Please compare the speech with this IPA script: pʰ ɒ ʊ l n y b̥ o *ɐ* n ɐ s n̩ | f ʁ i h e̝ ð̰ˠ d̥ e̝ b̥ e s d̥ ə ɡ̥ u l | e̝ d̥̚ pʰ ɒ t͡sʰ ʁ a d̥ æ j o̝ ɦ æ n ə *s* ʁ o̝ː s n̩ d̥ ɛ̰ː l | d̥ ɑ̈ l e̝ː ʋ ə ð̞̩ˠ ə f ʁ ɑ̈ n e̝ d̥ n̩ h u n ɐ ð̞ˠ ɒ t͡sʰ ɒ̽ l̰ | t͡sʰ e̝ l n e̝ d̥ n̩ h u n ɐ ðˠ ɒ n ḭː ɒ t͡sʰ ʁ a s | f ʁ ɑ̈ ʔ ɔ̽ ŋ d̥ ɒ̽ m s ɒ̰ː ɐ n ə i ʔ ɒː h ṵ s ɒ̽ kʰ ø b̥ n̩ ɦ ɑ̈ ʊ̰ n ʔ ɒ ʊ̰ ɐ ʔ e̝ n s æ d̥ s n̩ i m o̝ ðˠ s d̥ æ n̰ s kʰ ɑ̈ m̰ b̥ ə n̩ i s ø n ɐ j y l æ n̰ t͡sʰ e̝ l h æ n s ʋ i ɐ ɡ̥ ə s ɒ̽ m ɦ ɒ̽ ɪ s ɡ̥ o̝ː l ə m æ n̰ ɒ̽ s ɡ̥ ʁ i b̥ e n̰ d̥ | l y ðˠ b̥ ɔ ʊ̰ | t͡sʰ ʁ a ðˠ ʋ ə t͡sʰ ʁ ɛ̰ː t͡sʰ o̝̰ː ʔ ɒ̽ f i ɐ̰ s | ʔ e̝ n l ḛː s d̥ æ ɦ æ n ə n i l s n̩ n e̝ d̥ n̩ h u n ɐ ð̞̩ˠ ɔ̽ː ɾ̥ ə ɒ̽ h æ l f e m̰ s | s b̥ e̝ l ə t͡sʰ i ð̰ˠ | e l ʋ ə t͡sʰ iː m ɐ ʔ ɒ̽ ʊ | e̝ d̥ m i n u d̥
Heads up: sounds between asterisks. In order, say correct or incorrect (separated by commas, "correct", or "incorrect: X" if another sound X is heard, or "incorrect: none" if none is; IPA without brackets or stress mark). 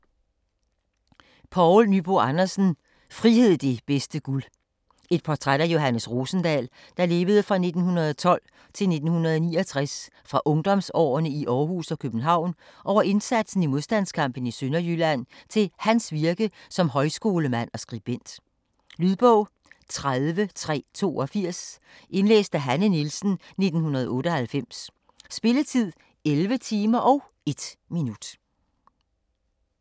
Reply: incorrect: ɑ, correct